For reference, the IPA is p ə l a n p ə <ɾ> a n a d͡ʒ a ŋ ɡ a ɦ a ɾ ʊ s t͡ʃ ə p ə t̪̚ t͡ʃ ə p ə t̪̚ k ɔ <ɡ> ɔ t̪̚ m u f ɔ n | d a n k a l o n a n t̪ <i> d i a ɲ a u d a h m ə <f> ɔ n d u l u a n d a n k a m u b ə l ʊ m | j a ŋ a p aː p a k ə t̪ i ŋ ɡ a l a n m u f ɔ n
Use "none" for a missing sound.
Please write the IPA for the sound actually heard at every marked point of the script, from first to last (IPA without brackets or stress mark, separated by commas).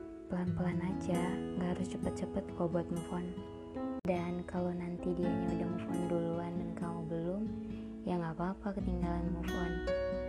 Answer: l, b, i, f